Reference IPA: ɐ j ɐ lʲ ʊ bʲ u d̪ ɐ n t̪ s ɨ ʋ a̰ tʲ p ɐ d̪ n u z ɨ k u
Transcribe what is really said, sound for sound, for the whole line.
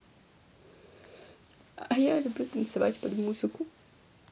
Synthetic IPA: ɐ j a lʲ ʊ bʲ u t̪ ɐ n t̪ s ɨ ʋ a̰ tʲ p ɐ d̪ m u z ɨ k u